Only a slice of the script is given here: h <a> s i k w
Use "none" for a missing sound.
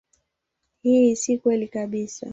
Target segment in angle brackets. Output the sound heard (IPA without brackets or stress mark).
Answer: i